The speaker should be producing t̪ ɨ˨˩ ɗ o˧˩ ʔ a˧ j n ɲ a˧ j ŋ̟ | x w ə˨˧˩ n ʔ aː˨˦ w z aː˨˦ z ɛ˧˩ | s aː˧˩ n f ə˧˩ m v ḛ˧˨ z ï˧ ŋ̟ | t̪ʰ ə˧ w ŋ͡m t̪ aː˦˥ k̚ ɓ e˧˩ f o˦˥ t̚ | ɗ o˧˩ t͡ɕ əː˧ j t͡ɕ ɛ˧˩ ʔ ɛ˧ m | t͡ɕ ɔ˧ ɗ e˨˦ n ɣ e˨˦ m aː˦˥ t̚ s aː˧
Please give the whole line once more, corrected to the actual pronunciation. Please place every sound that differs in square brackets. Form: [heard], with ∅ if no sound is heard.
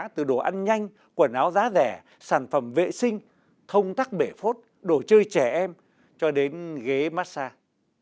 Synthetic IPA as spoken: t̪ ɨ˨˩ ɗ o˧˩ ʔ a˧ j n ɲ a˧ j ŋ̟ | [k] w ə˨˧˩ n ʔ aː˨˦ w z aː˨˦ z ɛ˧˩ | s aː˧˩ n f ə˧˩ m v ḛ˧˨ [s] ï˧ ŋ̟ | t̪ʰ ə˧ w ŋ͡m t̪ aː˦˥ k̚ ɓ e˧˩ f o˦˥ t̚ | ɗ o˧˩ t͡ɕ əː˧ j t͡ɕ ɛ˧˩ ʔ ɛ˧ m | t͡ɕ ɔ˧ ɗ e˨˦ n ɣ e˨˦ m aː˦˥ t̚ s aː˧